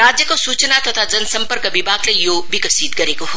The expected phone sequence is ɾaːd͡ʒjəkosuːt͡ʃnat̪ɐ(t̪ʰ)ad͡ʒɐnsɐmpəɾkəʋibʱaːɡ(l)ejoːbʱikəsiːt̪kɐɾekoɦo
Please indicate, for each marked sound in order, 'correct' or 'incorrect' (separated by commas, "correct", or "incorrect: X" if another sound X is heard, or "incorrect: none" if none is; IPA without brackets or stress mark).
correct, correct